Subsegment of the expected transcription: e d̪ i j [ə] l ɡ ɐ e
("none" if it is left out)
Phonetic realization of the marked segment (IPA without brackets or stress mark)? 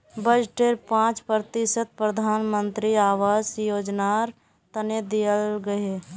ə